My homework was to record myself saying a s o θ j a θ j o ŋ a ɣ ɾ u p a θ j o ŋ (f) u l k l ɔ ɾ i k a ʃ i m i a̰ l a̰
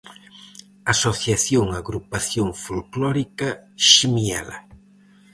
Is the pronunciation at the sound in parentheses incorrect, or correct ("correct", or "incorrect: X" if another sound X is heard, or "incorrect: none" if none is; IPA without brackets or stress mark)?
correct